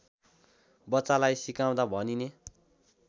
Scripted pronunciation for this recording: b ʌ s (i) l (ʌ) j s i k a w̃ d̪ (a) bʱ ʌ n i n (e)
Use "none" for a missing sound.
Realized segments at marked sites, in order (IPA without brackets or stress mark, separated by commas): a, a, a, e